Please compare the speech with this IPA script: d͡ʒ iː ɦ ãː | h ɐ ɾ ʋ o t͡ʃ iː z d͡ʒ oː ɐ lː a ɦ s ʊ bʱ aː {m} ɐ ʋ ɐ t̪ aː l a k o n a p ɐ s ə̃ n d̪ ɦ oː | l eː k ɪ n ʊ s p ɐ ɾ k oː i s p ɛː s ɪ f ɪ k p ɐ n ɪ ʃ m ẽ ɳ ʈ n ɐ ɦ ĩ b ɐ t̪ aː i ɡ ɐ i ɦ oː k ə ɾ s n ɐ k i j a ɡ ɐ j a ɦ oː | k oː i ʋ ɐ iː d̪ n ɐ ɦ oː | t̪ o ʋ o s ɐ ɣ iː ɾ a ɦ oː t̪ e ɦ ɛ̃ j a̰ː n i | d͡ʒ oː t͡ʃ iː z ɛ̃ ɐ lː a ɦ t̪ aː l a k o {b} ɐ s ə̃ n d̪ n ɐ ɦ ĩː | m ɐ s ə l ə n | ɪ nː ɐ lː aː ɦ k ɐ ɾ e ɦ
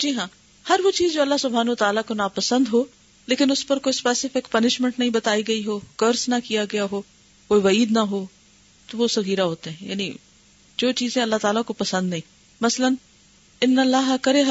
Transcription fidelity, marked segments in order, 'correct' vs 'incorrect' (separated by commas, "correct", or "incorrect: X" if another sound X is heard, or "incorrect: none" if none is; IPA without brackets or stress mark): incorrect: n, incorrect: p